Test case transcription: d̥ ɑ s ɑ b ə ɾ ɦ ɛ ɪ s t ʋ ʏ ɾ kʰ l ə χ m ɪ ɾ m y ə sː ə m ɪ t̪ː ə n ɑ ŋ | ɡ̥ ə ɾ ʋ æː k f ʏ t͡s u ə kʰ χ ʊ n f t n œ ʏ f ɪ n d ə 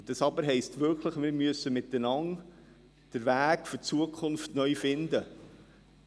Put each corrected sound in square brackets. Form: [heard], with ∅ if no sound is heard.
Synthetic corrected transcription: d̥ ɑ s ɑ b ə ɾ ɦ ɛ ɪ s t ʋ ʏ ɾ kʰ l ə χ m ɪ ɾ m y ə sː ə m ɪ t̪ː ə n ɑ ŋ | [d̥] ə ɾ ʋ æː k f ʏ t͡s u ə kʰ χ ʊ n f t n œ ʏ f ɪ n d ə